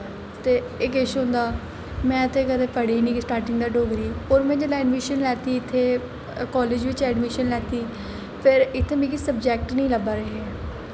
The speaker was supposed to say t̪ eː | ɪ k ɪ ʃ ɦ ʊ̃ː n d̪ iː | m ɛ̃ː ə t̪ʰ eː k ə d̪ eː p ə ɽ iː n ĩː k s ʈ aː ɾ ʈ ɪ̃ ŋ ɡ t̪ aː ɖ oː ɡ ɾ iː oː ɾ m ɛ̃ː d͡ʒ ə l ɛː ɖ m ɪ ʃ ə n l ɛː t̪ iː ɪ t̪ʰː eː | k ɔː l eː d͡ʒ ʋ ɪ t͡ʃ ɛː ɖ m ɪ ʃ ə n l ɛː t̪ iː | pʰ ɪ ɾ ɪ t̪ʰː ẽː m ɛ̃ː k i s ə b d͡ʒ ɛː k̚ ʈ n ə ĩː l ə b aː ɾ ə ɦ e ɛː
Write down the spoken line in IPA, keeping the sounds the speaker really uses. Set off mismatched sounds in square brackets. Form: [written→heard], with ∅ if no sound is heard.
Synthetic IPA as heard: t̪ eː | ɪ k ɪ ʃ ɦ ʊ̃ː n d̪ [iː→aː] | m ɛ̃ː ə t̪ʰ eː k ə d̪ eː p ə ɽ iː n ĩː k s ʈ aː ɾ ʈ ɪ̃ ŋ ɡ [t̪→d̪] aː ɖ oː ɡ ɾ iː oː ɾ m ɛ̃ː d͡ʒ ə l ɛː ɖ m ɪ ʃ ə n l ɛː t̪ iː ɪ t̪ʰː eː | k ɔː l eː d͡ʒ ʋ ɪ t͡ʃ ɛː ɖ m ɪ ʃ ə n l ɛː t̪ iː | pʰ ɪ ɾ ɪ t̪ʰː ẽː m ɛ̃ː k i s ə b d͡ʒ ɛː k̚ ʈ n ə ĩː l ə b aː ɾ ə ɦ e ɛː

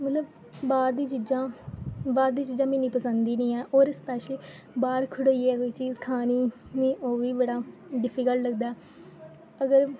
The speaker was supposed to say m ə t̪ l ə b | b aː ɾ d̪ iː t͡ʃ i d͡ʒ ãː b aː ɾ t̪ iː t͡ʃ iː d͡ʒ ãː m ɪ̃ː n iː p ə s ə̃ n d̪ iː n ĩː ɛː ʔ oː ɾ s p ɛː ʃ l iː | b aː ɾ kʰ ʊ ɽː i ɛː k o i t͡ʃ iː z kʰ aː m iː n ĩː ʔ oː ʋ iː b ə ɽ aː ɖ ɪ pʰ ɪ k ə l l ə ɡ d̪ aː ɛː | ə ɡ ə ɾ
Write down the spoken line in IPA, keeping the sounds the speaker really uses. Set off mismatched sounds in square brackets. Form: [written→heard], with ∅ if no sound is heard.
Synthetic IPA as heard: m ə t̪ l ə b | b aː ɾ d̪ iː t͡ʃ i d͡ʒ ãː b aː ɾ [t̪→d̪] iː t͡ʃ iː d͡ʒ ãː m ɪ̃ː n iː p ə s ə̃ n d̪ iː n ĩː ɛː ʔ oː ɾ s p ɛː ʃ l iː | b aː ɾ kʰ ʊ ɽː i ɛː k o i t͡ʃ iː z kʰ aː [m→n] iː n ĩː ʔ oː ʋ iː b ə ɽ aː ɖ ɪ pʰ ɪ k ə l l ə ɡ d̪ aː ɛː | ə ɡ ə ɾ

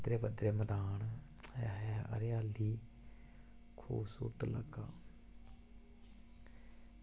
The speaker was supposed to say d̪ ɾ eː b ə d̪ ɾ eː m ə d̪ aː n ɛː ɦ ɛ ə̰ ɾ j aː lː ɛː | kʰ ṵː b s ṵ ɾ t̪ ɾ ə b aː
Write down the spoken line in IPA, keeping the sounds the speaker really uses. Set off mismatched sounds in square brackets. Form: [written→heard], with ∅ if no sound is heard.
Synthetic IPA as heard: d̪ ɾ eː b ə d̪ ɾ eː m ə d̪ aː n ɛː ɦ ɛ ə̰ ɾ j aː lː [ɛː→iː] | kʰ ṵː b s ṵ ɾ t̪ [ɾ→l] ə [b→ɡ] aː

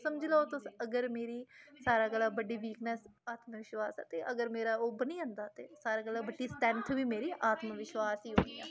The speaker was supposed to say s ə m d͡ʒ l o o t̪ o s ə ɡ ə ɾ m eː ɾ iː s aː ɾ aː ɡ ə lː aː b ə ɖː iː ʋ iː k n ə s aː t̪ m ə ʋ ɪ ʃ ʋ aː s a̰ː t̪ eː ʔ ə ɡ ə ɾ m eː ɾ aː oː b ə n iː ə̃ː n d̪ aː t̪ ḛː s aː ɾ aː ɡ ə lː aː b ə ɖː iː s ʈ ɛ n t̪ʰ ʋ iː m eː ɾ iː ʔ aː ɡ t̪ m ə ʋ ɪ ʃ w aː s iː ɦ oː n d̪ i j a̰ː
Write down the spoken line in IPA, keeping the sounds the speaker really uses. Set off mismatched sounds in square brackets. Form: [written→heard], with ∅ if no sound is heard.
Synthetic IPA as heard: s ə m d͡ʒ l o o t̪ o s ə ɡ ə ɾ m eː ɾ iː s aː ɾ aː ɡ ə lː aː b ə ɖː iː ʋ iː k n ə s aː t̪ m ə ʋ ɪ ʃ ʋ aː s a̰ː t̪ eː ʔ ə ɡ ə ɾ m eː ɾ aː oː b ə n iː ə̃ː n d̪ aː t̪ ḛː s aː ɾ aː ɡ ə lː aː b ə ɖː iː s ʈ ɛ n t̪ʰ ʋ iː m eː ɾ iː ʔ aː [ɡ→∅] t̪ m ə ʋ ɪ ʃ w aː s iː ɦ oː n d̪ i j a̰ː

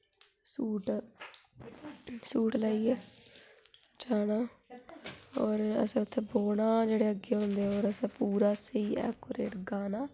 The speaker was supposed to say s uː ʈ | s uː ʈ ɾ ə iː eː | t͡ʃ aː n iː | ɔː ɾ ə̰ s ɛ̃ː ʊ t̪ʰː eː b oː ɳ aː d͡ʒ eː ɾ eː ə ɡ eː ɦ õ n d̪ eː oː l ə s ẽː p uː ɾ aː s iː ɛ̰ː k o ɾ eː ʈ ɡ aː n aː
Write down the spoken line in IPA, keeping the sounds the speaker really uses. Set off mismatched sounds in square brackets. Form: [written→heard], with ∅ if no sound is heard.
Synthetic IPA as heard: s uː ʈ | s uː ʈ [ɾ→l] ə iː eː | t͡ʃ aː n [iː→aː] | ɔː ɾ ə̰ s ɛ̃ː ʊ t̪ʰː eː b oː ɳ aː d͡ʒ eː [ɾ→ɽ] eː ə ɡ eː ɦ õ n d̪ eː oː [l→ɾ] ə s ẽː p uː ɾ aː s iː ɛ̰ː k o ɾ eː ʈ ɡ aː n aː

